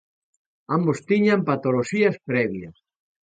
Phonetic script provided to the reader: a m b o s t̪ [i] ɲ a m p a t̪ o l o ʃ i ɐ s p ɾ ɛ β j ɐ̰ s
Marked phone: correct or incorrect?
correct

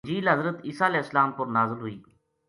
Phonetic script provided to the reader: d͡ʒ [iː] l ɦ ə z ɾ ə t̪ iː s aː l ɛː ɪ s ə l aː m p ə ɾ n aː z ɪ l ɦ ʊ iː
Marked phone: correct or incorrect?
correct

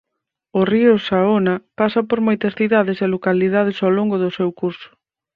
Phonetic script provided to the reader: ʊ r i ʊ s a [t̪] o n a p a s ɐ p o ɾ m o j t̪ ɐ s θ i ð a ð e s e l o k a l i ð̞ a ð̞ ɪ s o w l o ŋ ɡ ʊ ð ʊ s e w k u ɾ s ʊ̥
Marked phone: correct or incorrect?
incorrect: none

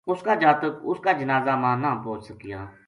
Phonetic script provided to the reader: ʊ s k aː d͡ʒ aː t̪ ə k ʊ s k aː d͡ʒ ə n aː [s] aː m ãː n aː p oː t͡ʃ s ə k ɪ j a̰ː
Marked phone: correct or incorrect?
incorrect: z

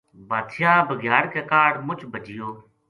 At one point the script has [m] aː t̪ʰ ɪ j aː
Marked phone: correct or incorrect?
incorrect: b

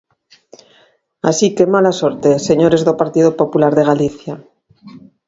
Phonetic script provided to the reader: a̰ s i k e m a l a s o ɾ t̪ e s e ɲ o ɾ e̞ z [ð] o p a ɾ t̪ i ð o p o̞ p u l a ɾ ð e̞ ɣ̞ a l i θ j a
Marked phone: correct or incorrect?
correct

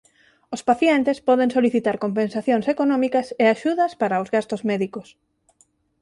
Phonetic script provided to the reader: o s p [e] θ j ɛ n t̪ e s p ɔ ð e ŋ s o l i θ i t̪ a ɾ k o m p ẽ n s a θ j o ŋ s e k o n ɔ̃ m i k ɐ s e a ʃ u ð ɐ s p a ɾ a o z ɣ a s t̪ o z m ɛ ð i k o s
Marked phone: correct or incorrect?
incorrect: a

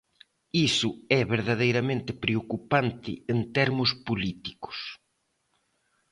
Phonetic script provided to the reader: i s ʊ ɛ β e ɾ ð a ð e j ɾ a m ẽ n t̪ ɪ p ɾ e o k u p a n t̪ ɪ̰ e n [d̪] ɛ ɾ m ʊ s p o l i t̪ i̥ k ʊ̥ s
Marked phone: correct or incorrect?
incorrect: t̪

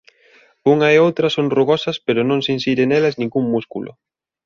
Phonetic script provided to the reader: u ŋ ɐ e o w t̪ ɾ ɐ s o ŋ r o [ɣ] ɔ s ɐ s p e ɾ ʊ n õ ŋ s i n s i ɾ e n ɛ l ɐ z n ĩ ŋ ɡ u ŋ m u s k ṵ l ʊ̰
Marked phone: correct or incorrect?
correct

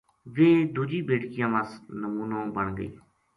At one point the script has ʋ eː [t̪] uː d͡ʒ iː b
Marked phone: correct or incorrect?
incorrect: d̪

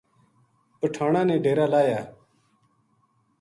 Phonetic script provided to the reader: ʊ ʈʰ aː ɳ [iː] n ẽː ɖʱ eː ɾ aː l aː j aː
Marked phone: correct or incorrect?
incorrect: aː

